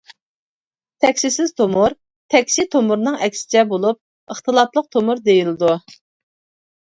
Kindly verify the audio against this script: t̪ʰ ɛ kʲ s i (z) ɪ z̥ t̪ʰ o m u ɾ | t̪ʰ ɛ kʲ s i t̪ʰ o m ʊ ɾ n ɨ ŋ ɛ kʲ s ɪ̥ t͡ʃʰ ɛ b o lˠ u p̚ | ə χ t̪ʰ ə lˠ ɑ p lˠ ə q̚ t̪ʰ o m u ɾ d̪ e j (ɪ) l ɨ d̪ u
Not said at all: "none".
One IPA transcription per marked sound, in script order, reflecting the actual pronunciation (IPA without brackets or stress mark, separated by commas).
s, i